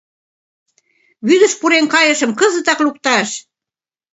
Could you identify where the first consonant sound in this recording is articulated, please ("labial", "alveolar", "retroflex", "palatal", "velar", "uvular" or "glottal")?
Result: labial